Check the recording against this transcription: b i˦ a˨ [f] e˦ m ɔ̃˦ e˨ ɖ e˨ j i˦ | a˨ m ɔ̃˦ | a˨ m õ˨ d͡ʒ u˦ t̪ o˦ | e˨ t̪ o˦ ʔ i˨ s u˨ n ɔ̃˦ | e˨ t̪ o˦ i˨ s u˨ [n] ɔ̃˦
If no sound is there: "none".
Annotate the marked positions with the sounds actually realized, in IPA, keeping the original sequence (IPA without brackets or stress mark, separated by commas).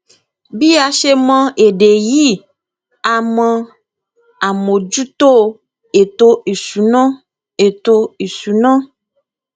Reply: ʃ, n